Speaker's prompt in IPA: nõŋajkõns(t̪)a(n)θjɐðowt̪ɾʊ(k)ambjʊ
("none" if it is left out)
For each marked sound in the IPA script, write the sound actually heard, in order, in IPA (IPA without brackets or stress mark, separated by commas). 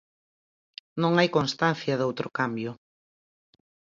t̪, n, k